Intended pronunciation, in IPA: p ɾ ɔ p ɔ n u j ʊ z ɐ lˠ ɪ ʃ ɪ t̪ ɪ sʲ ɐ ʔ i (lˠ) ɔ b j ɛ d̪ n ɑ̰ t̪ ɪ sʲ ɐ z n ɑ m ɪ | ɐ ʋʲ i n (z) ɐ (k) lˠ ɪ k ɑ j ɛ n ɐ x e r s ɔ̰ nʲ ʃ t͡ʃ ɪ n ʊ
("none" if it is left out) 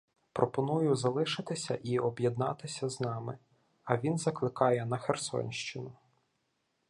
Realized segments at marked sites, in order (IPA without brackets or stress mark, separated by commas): none, z, k